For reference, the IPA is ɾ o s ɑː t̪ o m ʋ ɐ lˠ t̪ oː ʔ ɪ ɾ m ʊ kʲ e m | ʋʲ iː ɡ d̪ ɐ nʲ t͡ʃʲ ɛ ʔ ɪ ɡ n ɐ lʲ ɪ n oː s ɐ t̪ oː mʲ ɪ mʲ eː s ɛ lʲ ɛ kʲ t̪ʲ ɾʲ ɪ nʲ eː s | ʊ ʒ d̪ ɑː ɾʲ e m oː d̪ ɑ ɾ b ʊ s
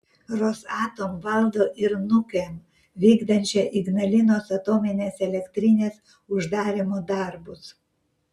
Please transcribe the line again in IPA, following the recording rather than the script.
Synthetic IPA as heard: ɾ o s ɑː t̪ o m ʋ ɐ lˠ d̪ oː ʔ ɪ ɾ n ʊ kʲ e m | ʋʲ iː ɡ d̪ ɐ nʲ t͡ʃʲ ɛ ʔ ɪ ɡ n ɐ lʲ ɪ n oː s ɐ t̪ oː mʲ ɪ nʲ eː s ɛ lʲ ɛ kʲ t̪ʲ ɾʲ ɪ nʲ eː s | ʊ ʒ d̪ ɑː ɾʲ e m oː d̪ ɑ ɾ b ʊ s

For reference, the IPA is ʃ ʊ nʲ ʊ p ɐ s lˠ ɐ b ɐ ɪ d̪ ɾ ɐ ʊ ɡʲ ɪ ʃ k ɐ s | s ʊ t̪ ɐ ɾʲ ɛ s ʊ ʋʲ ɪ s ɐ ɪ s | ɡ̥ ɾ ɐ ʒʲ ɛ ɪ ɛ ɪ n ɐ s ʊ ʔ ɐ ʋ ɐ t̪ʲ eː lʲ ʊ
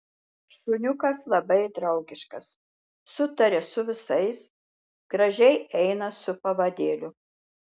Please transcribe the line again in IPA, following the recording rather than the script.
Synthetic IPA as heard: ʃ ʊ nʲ ʊ k ɐ s lˠ ɐ b ɐ ɪ d̪ ɾ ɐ ʊ ɡʲ ɪ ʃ k ɐ s | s ʊ t̪ ɐ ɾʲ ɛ s ʊ ʋʲ ɪ s ɐ ɪ s | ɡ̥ ɾ ɐ ʒʲ ɛ ɪ ɛ ɪ n ɐ s ʊ p ɐ ʋ ɐ d̪ʲ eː lʲ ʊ

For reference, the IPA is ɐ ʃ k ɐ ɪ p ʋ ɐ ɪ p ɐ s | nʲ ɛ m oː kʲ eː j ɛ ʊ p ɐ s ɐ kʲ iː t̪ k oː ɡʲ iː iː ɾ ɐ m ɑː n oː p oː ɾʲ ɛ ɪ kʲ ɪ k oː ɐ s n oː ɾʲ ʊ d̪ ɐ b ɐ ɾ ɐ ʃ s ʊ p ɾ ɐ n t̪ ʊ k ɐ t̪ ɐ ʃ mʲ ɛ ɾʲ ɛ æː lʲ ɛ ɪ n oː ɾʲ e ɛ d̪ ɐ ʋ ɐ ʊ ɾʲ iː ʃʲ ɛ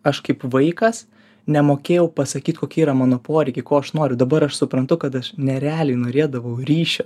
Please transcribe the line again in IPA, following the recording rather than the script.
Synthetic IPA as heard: ɐ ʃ k ɐ ɪ p ʋ ɐ ɪ k ɐ s | nʲ ɛ m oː kʲ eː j ɛ ʊ p ɐ s ɐ kʲ iː t̪ k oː kʲ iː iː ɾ ɐ m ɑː n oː p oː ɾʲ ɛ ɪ kʲ ɪ k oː ɐ ʃ n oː ɾʲ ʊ d̪ ɐ b ɐ ɾ ɐ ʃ s ʊ p ɾ ɐ n t̪ ʊ k ɐ t̪ ɐ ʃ nʲ ɛ ɾʲ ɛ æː lʲ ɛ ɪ n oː ɾʲ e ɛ d̪ ɐ ʋ ɐ ʊ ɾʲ iː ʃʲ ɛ

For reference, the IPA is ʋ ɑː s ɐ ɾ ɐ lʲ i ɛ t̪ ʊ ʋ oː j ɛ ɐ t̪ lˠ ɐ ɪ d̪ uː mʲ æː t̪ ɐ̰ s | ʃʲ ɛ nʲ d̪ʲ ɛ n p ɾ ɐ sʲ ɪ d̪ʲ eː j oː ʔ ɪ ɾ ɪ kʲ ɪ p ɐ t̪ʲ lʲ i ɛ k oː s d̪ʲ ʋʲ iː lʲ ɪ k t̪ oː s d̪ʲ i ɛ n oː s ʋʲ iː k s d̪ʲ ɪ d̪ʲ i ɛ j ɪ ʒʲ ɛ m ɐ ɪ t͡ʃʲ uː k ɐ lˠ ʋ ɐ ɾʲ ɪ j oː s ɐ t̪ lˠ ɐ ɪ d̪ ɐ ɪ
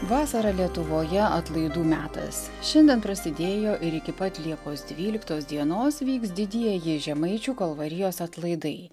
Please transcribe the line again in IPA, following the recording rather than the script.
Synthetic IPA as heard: ʋ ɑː s ɐ ɾ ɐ lʲ i ɛ t̪ ʊ ʋ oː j ɛ ɐ t̪ lˠ ɐ ɪ d̪ uː mʲ æː t̪ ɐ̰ s | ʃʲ ɛ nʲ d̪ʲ ɛ n p ɾ ɐ sʲ ɪ d̪ʲ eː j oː ʔ ɪ ɾ ɪ kʲ ɪ p ɐ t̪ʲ lʲ i ɛ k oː s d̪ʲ ʋʲ iː lʲ ɪ k t̪ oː s d̪ʲ i ɛ n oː s ʋʲ iː k s d̪ʲ ɪ d̪ʲ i ɛ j ɪ ʒʲ ɛ m ɐ ɪ t͡ʃʲ uː k ɐ lˠ ʋ ɐ ɾʲ ɪ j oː s ɐ t̪ lˠ ɐ ɪ d̪ ɐ ɪ

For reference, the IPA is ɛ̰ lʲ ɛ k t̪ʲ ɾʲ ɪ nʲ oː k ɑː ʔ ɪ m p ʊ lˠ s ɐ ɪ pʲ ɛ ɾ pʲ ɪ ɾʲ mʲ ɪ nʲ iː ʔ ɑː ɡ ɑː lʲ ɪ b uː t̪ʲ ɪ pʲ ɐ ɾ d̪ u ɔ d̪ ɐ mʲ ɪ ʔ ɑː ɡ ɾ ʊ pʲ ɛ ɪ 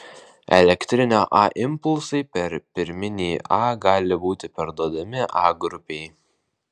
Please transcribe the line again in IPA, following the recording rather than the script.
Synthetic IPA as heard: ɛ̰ lʲ ɛ k t̪ʲ ɾʲ ɪ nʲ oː ʔ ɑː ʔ ɪ m p ʊ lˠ s ɐ ɪ pʲ ɛ ɾ pʲ ɪ ɾʲ mʲ ɪ nʲ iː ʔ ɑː ɡ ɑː lʲ ɪ b uː t̪ʲ ɪ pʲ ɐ ɾ d̪ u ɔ d̪ ɐ mʲ ɪ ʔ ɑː ɡ ɾ ʊ pʲ ɛ ɪ

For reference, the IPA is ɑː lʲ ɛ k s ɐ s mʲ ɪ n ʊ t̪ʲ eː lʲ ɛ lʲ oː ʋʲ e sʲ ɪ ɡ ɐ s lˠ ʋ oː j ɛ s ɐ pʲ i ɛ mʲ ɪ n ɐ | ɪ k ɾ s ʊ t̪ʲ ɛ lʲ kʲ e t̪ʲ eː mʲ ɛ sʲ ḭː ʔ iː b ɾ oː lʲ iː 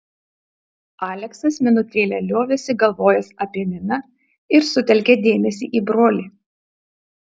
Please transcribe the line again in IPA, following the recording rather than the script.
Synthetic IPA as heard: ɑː lʲ ɛ k s ɐ s mʲ ɪ n ʊ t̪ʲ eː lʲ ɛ lʲ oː ʋʲ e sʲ ɪ ɡ ɐ lˠ ʋ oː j ɛ s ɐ pʲ i ɛ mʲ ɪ n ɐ | ɪ ɾ s ʊ t̪ʲ ɛ lʲ kʲ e d̪ʲ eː mʲ ɛ sʲ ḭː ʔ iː b ɾ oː lʲ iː

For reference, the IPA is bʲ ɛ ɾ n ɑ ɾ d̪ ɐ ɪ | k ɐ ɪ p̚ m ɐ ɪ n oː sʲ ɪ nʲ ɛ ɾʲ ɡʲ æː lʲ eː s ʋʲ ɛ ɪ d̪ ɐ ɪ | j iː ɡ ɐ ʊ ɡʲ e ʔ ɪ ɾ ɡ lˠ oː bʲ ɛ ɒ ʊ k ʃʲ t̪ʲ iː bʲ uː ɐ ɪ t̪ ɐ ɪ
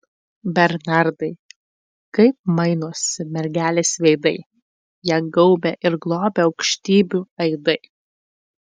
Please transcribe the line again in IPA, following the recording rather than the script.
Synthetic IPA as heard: bʲ ɛ ɾ n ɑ ɾ d̪ ɐ ɪ | k ɐ ɪ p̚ m ɐ ɪ n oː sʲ ɪ mʲ ɛ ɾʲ ɡʲ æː lʲ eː s ʋʲ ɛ ɪ d̪ ɐ ɪ | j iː ɡ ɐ ʊ bʲ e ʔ ɪ ɾ ɡ lˠ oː bʲ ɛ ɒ ʊ k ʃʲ t̪ʲ iː bʲ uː ɐ ɪ d̪ ɐ ɪ

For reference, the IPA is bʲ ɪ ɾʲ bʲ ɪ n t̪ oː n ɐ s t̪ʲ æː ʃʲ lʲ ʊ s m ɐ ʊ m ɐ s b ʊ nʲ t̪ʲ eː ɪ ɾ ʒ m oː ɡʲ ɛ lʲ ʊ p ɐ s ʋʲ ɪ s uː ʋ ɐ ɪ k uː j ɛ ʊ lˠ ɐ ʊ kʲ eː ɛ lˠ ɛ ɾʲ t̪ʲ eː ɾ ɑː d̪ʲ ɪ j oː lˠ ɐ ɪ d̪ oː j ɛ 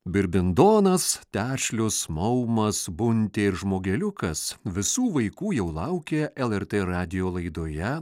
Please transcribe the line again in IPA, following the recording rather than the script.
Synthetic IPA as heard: bʲ ɪ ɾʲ bʲ ɪ n d̪ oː n ɐ s t̪ʲ æː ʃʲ lʲ ʊ s m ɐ ʊ m ɐ s b ʊ nʲ t̪ʲ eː ɪ ɾ ʒ m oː ɡʲ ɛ lʲ ʊ k ɐ s ʋʲ ɪ s uː ʋ ɐ ɪ k uː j ɛ ʊ lˠ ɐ ʊ kʲ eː ɛ lˠ ɛ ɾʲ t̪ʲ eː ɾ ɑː d̪ʲ ɪ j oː lˠ ɐ ɪ d̪ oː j ɛ

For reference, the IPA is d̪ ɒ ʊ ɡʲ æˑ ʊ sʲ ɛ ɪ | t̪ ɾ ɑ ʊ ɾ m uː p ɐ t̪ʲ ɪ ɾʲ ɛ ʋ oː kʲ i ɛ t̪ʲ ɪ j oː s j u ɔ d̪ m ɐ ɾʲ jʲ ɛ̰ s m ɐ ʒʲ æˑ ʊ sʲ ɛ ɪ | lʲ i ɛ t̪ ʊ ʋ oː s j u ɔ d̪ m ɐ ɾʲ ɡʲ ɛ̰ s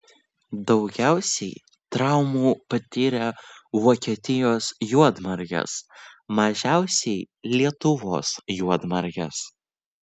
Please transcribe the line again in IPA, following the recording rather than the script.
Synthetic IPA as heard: d̪ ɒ ʊ ɡʲ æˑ ʊ sʲ ɛ ɪ | t̪ ɾ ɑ ʊ m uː p ɐ t̪ʲ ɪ ɾʲ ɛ ʋ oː kʲ i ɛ t̪ʲ ɪ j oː s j u ɔ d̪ m ɐ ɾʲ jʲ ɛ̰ s m ɐ ʒʲ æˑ ʊ sʲ ɛ ɪ | lʲ i ɛ t̪ ʊ ʋ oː s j u ɔ d̪ m ɐ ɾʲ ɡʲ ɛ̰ s

